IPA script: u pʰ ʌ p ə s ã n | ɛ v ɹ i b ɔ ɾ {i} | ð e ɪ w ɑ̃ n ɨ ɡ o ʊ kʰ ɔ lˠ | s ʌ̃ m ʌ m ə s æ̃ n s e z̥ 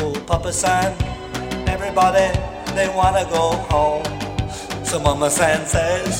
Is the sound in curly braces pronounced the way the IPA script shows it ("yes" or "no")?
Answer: yes